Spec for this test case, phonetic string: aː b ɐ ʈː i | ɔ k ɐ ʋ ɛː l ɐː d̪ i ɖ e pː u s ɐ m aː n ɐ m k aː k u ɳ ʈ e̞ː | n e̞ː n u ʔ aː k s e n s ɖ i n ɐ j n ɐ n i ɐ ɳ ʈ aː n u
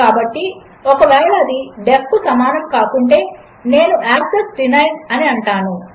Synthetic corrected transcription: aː b ɐ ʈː i | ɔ k ɐ ʋ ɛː ɭ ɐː d̪ i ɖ e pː u s ɐ m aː n ɐ m k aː k u ɳ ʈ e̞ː | n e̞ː n u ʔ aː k s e s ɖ i n ɐ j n ɐ n i ɐ ɳ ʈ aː n u

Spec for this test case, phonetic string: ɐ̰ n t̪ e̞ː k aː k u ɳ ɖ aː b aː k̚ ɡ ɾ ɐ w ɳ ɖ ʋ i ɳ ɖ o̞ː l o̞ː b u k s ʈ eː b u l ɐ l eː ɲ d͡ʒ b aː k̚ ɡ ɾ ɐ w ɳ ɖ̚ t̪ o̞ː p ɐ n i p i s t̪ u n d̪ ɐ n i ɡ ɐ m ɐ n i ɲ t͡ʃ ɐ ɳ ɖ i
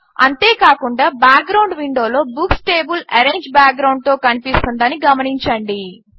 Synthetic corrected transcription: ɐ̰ n t̪ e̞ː k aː k u ɳ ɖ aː b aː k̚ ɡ ɾ ɐ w ɳ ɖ ʋ i ɳ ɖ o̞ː l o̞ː b u k s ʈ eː b u l ɐ ɾ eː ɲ d͡ʒ b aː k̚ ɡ ɾ ɐ w ɳ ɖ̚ t̪ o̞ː k ɐ n i p i s t̪ u n d̪ ɐ n i ɡ ɐ m ɐ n i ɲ t͡ʃ ɐ ɳ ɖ i

